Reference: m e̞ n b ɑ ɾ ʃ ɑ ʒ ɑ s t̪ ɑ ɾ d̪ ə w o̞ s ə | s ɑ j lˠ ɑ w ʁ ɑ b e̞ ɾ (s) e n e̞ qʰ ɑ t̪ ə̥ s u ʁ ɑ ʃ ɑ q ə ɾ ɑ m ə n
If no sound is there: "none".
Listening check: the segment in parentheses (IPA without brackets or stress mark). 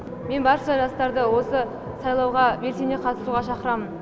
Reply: s